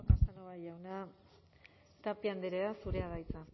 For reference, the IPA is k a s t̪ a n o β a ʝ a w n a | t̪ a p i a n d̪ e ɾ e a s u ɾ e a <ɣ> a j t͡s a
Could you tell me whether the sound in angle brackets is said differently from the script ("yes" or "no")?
yes